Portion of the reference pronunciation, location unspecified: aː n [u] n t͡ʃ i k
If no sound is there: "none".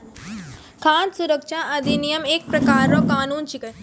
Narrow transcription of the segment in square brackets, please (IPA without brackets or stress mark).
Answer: uː